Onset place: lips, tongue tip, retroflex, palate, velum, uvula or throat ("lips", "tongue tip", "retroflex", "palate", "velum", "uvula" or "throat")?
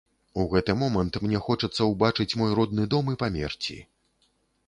velum